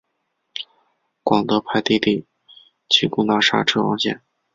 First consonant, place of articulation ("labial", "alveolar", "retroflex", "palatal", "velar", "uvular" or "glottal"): velar